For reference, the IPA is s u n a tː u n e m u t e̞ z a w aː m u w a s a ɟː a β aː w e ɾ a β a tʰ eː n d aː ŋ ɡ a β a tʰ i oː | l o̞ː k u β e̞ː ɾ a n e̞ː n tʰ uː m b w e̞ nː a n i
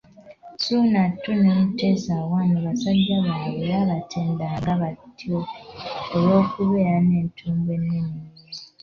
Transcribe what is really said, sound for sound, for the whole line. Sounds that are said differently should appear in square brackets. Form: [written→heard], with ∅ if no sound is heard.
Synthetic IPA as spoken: s u n a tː u n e m u t e̞ z a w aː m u [w→β] a s a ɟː a β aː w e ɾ a β a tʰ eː n d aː ŋ ɡ a β a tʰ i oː | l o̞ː k u β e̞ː ɾ a n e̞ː n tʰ uː m b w e̞ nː [a→i] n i